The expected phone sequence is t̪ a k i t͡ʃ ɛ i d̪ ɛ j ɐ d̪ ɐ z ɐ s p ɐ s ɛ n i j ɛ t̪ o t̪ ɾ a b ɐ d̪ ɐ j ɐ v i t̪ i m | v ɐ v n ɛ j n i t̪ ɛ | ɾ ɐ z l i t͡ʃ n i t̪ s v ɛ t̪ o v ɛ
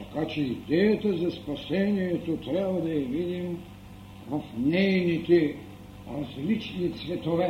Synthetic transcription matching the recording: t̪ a k a t͡ʃ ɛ i d̪ ɛ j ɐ t̪ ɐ z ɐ s p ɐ s ɛ n i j ɛ t̪ o t̪ ɾ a b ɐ d̪ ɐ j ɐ v i d̪ i m | v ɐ f n ɛ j n i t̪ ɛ | ɾ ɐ z l i t͡ʃ n i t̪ s v ɛ t̪ o v ɛ